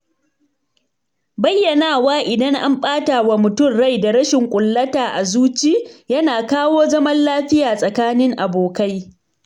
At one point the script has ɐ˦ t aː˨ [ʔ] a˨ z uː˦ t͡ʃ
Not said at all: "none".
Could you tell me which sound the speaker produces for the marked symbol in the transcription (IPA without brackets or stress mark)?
ʔ